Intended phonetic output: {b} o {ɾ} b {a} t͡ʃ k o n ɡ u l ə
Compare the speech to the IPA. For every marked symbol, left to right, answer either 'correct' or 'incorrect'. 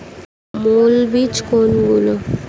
incorrect: m, incorrect: l, incorrect: i

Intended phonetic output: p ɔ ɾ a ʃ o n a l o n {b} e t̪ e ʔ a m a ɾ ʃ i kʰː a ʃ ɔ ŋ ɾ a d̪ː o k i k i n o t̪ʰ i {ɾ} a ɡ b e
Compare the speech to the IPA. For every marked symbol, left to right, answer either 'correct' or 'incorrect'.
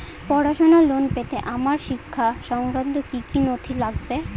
incorrect: p, incorrect: l

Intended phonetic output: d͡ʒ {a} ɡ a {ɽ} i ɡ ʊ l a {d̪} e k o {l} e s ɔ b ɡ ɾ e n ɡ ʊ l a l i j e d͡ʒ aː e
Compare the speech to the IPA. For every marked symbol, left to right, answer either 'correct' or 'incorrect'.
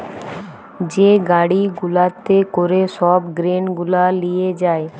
incorrect: e, correct, incorrect: t̪, incorrect: ɾ

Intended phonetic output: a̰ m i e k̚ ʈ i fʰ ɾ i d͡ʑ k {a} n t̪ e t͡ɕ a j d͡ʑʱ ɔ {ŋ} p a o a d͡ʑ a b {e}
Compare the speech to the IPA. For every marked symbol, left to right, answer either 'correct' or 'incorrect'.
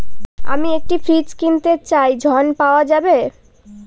incorrect: i, incorrect: n, correct

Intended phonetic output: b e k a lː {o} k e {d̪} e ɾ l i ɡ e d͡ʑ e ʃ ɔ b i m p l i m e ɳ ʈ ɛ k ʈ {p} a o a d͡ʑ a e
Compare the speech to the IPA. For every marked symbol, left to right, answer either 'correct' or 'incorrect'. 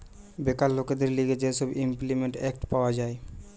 correct, correct, correct

